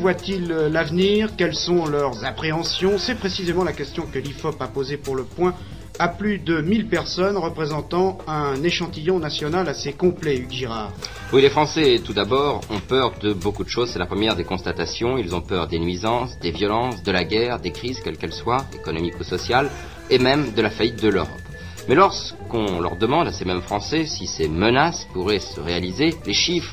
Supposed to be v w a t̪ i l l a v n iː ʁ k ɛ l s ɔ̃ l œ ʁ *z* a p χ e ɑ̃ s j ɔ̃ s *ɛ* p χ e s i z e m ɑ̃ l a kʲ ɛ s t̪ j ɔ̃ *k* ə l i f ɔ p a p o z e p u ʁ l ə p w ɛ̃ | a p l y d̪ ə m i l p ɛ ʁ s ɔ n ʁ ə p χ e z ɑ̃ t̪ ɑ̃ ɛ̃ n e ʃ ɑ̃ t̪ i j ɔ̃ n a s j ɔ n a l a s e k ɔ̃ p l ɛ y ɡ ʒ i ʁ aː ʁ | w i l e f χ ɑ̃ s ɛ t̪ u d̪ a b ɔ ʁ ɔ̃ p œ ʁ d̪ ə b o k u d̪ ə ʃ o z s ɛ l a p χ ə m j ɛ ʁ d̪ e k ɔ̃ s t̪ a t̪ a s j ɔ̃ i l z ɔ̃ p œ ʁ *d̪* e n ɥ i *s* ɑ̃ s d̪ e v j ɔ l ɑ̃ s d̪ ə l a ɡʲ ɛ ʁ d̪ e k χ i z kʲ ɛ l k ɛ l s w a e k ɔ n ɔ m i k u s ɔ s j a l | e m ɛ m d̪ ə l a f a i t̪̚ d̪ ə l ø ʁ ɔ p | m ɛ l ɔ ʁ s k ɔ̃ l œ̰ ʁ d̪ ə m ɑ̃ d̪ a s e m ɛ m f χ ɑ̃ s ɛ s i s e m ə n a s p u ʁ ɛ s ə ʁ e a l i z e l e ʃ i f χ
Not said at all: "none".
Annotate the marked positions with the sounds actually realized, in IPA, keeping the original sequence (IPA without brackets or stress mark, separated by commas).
z, ɛ, k, d̪, z